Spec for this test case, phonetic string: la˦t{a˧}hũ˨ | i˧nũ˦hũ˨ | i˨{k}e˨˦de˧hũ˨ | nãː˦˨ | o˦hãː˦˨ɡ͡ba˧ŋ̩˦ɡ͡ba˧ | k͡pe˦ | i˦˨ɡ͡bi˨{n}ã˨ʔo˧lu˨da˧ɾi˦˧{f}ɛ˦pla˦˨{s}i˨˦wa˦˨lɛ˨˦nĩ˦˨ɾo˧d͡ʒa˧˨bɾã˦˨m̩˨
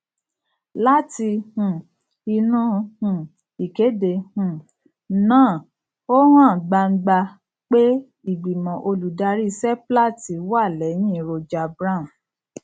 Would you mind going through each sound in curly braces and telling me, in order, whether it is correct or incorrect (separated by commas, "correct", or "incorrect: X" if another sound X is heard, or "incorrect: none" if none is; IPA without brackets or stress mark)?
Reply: incorrect: i˧, correct, incorrect: m, incorrect: s, incorrect: t